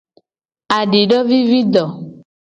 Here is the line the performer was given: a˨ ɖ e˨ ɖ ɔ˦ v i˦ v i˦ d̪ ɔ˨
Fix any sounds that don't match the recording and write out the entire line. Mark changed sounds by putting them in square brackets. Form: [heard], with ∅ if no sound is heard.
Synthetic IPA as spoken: a˨ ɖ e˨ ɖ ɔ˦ v i˦ v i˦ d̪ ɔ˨